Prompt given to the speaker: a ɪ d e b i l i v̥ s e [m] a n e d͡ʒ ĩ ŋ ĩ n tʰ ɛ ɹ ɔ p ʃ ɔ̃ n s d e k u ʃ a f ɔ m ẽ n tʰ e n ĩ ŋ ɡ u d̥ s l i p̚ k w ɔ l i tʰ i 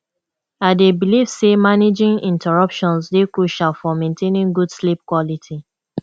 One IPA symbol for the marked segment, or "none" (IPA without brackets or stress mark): m